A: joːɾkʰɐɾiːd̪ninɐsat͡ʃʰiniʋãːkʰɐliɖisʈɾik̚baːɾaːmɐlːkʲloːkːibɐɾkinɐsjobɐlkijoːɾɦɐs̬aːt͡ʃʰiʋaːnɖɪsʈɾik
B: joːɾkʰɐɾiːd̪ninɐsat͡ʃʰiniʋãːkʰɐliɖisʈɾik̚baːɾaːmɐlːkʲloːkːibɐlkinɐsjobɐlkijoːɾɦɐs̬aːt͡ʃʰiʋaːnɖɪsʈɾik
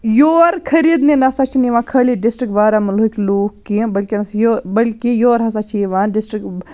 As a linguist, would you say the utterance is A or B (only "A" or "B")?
B